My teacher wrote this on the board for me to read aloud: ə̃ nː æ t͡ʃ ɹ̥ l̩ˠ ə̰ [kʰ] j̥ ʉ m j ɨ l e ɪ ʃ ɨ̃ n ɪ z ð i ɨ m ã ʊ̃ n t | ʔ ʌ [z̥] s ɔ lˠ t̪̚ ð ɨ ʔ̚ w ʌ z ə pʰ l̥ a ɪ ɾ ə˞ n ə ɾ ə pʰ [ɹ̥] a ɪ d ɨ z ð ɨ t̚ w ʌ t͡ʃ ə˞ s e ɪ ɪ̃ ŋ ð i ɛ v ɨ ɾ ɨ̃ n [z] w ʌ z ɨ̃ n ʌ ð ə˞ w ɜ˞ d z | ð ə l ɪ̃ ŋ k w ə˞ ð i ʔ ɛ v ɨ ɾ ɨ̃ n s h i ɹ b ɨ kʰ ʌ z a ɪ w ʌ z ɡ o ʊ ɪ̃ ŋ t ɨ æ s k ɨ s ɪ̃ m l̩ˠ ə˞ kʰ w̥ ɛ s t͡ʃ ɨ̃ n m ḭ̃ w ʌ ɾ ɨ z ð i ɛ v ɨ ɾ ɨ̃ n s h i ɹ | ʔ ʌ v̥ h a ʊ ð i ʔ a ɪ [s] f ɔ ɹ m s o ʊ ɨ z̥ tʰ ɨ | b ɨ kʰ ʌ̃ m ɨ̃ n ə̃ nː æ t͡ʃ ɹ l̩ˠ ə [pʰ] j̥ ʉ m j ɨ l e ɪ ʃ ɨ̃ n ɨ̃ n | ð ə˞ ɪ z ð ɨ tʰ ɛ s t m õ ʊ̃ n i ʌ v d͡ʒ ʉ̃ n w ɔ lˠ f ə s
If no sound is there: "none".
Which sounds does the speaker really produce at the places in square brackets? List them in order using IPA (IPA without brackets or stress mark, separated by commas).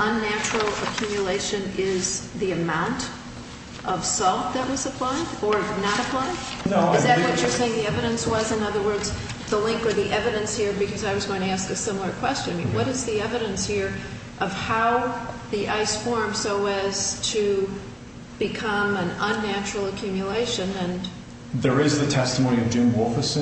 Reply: kʰ, v̥, l̥, s, s, kʰ